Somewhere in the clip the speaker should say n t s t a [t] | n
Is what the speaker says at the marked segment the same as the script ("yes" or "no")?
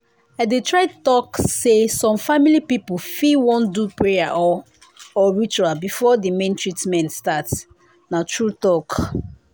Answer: yes